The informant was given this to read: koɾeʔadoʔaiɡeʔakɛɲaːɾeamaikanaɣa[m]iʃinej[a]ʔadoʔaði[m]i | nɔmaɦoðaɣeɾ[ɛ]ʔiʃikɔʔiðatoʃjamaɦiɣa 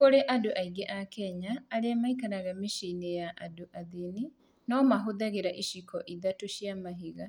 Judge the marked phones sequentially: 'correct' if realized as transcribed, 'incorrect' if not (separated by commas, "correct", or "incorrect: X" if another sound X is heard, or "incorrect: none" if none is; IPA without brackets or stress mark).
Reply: correct, correct, incorrect: n, incorrect: a